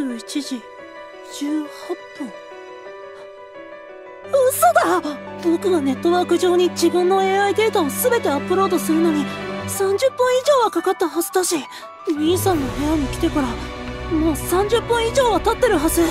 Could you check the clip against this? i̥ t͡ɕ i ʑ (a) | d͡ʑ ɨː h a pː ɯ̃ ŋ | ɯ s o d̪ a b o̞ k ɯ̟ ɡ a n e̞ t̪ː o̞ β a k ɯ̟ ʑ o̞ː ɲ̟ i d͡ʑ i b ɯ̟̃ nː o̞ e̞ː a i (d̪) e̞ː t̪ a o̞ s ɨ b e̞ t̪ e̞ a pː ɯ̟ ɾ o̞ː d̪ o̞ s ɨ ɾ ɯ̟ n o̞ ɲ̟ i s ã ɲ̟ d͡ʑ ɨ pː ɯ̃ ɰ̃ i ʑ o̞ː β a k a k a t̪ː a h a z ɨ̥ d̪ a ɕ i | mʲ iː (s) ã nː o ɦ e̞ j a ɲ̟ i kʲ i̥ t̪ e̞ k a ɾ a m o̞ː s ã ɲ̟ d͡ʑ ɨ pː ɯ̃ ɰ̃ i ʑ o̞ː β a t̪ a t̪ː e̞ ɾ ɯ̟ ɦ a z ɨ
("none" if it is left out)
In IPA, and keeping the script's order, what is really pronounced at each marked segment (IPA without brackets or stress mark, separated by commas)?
i, d̪, s